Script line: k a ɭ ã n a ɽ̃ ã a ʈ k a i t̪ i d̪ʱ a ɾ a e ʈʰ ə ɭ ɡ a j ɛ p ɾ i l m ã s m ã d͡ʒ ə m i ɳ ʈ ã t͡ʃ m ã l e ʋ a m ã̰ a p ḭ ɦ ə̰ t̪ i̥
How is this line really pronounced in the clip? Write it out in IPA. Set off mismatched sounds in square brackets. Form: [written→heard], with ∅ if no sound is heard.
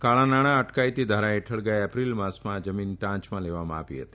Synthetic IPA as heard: k a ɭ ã n a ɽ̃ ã [a→ə] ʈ k a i t̪ i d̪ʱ a ɾ a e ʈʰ ə ɭ ɡ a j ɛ p ɾ i l m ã s m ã d͡ʒ ə m i [ɳ→n] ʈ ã t͡ʃ m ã l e ʋ a m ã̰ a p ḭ ɦ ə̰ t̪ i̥